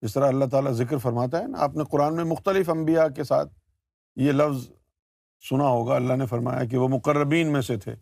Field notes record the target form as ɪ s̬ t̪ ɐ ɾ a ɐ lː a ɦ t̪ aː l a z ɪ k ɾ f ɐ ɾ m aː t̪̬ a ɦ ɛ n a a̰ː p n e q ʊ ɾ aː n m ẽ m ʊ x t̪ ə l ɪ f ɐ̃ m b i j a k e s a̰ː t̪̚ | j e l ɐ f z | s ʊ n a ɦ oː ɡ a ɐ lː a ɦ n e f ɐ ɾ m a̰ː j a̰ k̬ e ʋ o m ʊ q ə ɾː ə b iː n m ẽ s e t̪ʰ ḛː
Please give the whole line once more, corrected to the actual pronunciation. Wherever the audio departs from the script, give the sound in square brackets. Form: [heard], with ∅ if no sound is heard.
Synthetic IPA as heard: ɪ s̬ t̪ ɐ ɾ a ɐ lː a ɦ t̪ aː l a z ɪ k ɾ f ɐ ɾ m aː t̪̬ a ɦ ɛ n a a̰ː p n e q ʊ ɾ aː n m ẽ m ʊ x t̪ ə l ɪ f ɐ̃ m b i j a k e s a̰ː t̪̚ | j e l ɐ f z | s ʊ n a ɦ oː ɡ a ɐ lː a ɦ n e f ɐ ɾ m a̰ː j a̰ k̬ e ʋ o m ʊ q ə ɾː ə b iː n m ẽ s e t̪ʰ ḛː